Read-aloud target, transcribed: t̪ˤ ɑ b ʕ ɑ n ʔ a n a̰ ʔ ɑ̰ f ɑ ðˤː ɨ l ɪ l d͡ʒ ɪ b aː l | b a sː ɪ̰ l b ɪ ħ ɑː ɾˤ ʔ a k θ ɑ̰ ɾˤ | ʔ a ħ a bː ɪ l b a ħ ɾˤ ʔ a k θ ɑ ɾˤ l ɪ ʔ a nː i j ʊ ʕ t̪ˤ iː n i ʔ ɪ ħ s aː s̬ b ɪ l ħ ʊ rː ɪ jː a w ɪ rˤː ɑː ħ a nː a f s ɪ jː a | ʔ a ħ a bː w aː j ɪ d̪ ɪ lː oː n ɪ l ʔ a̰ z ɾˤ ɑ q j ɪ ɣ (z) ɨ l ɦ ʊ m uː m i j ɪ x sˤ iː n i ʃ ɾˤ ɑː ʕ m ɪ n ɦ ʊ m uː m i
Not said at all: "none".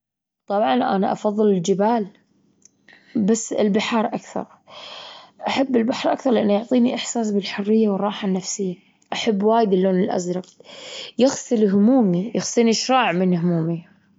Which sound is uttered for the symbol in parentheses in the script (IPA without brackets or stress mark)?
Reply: s